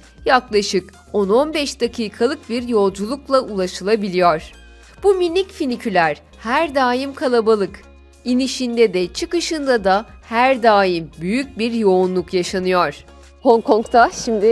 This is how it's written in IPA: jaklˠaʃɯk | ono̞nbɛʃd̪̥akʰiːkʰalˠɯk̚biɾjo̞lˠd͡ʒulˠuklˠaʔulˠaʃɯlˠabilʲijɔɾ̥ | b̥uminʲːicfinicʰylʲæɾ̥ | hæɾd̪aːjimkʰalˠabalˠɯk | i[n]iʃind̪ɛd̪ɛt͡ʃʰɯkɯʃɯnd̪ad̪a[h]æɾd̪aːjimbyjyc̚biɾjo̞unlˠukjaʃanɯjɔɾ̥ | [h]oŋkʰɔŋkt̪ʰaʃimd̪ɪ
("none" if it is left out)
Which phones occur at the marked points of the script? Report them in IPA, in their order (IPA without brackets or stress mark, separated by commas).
n, h, h